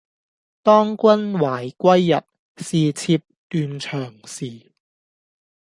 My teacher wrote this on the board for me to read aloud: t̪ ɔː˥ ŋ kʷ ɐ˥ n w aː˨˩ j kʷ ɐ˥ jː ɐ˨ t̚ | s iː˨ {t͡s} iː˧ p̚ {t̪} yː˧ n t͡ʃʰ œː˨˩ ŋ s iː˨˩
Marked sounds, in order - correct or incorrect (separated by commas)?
incorrect, correct